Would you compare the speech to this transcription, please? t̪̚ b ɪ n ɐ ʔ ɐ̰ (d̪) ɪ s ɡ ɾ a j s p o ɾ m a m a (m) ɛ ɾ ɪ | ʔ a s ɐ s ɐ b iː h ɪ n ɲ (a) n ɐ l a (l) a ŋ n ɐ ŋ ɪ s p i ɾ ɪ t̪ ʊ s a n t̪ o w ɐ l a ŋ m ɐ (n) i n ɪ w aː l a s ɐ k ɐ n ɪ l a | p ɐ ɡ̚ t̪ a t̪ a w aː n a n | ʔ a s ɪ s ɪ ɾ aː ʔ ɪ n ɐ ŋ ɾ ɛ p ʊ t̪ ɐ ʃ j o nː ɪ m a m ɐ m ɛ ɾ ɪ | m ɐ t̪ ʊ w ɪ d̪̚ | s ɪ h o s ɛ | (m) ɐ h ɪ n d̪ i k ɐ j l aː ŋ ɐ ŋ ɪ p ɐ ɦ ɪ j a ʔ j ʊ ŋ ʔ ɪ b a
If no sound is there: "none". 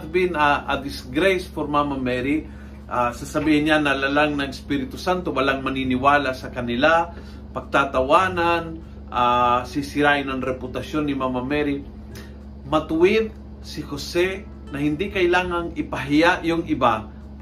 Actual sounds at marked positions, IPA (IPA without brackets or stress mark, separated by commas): d̪, m, a, l, n, n